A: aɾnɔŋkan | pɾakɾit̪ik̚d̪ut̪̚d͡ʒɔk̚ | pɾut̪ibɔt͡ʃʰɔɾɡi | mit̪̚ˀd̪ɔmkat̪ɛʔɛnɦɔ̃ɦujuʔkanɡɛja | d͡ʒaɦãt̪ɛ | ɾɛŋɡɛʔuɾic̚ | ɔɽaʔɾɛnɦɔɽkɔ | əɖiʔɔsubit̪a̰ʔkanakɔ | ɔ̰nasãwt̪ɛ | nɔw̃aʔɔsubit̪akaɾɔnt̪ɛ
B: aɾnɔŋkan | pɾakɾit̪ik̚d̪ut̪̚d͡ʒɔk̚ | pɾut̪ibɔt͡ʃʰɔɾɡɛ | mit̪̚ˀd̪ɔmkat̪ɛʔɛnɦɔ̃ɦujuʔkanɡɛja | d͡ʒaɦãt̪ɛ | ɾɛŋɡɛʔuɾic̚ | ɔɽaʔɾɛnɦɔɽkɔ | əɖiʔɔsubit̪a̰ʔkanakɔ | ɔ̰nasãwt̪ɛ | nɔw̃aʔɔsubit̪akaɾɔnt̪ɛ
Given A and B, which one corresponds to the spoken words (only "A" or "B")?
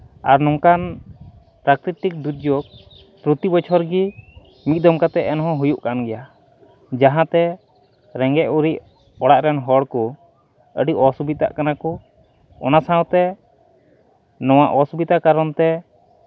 A